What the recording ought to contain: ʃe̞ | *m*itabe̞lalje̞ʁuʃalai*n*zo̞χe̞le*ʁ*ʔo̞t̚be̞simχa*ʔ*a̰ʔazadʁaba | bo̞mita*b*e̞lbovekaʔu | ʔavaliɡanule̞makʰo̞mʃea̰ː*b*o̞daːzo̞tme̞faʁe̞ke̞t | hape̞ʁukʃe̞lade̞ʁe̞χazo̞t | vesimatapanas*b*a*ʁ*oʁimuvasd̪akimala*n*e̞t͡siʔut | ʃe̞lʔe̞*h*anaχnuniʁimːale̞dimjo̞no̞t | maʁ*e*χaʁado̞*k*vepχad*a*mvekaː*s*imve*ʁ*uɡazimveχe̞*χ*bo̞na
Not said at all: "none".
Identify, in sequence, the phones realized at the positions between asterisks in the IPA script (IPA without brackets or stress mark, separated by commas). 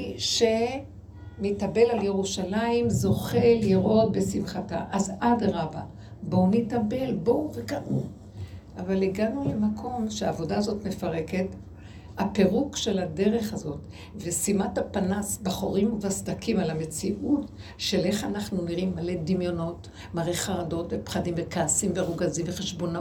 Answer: m, m, ʁ, t, b, v, b, χ, m, χ, e, t, i, s, ʁ, ʃ